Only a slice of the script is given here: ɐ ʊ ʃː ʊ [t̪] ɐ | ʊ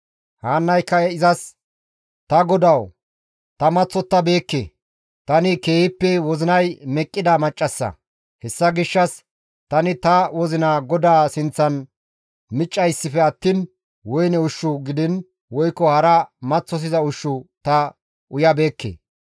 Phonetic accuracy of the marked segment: correct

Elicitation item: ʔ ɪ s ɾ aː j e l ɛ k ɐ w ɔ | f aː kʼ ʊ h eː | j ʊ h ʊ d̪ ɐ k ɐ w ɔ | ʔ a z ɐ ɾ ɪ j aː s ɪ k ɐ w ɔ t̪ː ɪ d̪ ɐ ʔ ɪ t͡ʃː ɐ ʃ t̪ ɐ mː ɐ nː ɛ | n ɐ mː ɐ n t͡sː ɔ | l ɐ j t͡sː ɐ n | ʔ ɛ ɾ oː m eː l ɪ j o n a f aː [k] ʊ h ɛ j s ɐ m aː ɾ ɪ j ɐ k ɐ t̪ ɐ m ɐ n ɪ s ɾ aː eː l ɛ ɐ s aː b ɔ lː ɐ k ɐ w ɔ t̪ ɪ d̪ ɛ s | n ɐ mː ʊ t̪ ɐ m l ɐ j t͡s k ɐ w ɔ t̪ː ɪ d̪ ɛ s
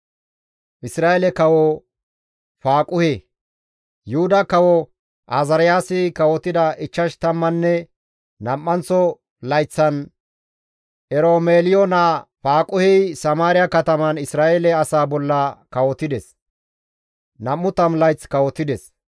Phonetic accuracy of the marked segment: incorrect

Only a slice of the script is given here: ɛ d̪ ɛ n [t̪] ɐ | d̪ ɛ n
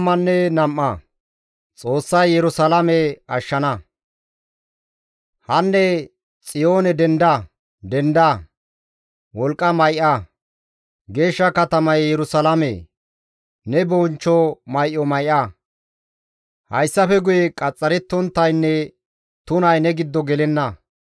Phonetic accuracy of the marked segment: incorrect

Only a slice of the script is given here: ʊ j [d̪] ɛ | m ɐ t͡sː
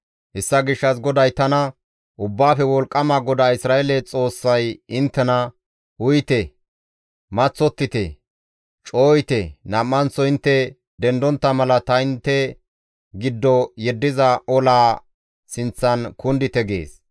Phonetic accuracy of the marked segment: incorrect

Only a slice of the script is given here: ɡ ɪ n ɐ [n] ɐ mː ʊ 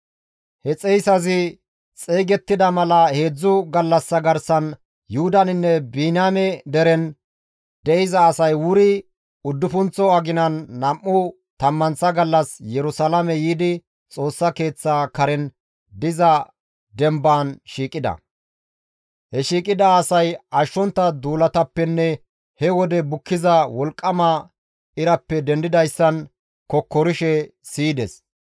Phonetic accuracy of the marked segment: incorrect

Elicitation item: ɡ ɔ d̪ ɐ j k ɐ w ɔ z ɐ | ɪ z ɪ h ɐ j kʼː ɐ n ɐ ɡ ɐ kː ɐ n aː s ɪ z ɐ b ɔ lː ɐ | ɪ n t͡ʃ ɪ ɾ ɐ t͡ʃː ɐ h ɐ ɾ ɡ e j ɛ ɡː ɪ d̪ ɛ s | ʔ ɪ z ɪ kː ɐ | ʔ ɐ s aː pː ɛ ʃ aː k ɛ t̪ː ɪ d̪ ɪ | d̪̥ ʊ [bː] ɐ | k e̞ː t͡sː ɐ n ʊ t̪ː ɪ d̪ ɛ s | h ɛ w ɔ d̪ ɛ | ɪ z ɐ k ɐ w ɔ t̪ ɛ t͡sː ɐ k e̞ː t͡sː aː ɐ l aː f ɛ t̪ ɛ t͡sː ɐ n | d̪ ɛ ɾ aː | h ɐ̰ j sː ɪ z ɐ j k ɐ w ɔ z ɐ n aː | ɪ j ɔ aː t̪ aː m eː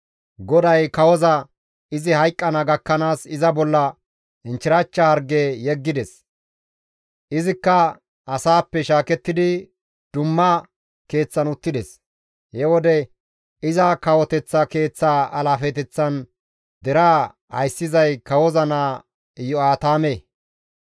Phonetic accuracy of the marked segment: incorrect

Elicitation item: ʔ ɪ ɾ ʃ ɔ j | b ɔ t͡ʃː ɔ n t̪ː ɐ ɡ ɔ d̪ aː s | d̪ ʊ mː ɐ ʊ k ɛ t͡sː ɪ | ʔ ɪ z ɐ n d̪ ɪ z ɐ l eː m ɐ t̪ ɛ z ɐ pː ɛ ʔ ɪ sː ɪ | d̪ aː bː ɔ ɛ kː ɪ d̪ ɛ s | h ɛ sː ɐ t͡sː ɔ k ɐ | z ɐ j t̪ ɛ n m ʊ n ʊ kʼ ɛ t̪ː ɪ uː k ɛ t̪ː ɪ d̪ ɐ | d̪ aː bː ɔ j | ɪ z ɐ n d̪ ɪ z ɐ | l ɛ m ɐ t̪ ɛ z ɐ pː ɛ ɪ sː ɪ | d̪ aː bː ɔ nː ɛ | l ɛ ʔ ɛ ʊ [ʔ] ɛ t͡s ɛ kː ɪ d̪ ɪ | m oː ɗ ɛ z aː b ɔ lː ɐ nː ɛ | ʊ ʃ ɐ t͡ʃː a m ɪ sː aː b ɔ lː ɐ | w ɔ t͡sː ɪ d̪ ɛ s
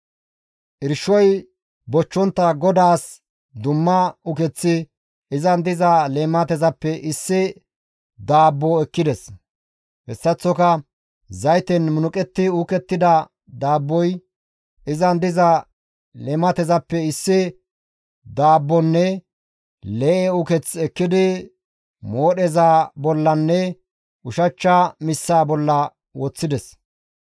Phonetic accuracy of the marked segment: incorrect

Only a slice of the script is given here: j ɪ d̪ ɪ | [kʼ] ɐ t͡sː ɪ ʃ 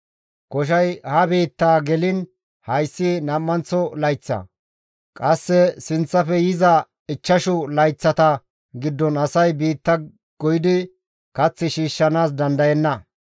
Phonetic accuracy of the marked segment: incorrect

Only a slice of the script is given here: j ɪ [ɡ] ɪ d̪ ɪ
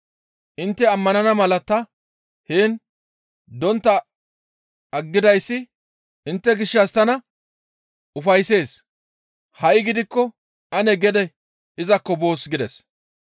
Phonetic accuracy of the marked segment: correct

